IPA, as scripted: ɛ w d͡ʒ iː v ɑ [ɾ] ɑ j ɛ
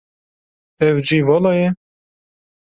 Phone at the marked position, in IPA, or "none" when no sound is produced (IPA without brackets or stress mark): l